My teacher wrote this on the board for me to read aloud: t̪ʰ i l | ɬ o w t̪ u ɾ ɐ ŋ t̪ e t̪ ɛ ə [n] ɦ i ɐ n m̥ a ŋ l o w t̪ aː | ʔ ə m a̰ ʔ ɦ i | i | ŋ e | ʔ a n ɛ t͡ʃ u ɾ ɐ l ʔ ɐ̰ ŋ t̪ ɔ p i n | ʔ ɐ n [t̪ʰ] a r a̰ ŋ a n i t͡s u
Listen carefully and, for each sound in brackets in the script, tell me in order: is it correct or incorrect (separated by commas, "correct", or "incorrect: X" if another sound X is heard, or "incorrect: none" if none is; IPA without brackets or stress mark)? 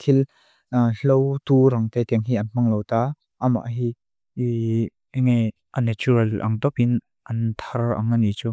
incorrect: ŋ, correct